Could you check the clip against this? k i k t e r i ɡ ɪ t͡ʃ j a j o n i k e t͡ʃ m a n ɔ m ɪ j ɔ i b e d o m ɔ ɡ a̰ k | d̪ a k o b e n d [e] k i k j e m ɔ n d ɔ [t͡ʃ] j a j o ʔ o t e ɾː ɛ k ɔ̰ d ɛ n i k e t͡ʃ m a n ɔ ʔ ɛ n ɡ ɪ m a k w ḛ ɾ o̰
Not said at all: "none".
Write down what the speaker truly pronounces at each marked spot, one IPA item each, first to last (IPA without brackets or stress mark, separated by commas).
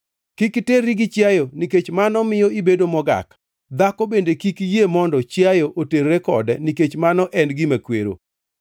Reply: e, t͡ʃ